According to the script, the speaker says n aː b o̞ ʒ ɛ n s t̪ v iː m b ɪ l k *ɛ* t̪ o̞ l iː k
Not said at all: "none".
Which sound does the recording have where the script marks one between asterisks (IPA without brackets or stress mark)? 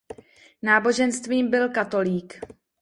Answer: a